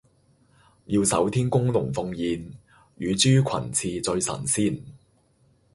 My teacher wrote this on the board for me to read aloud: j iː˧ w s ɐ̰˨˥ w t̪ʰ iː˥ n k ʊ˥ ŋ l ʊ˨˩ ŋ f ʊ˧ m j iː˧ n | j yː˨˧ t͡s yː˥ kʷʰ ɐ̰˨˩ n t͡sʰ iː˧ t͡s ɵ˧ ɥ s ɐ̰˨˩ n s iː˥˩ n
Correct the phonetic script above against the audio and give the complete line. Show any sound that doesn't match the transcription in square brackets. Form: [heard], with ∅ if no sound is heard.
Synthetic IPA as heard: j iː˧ w s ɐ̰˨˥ w t̪ʰ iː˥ n k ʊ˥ ŋ l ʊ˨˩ ŋ f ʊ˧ [ŋ] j iː˧ n | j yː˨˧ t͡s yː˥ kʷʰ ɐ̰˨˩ n t͡sʰ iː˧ t͡s ɵ˧ ɥ s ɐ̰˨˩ n s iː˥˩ n